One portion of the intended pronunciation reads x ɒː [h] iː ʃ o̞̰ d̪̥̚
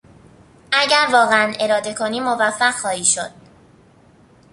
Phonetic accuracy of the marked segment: correct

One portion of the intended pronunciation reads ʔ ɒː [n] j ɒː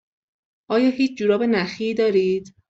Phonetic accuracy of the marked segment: incorrect: none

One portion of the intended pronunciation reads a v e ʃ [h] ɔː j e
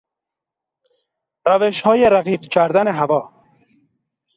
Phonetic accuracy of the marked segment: correct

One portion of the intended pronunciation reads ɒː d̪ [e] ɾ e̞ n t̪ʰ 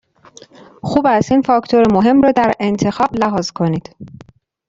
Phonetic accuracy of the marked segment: incorrect: æ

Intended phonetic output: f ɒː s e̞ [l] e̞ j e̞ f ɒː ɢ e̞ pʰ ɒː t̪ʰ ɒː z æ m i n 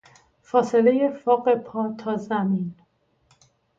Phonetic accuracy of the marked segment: correct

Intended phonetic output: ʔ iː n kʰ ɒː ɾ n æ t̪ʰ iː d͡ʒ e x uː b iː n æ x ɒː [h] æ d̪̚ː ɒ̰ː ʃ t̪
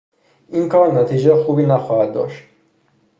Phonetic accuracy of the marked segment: correct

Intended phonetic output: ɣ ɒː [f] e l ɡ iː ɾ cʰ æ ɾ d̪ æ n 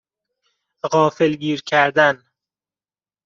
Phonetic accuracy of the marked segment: correct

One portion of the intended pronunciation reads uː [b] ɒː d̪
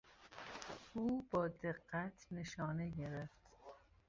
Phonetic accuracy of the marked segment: correct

